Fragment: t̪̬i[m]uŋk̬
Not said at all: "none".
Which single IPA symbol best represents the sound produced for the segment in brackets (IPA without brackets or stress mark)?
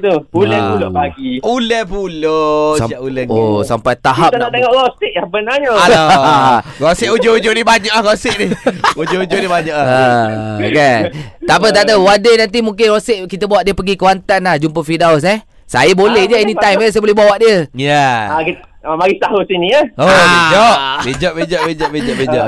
m